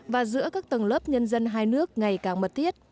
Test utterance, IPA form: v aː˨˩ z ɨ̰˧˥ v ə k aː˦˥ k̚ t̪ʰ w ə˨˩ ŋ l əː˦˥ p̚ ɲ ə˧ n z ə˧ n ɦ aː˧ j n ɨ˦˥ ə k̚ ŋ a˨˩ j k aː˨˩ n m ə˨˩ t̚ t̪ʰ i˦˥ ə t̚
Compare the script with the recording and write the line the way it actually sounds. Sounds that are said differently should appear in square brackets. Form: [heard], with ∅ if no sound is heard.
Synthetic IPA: v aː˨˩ z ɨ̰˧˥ [∅] ə k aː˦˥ k̚ [t̪] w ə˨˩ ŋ l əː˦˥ p̚ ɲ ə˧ n z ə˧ n ɦ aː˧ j n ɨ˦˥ ə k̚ ŋ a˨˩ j k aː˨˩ [ŋ] m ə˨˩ t̚ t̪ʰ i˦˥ ə t̚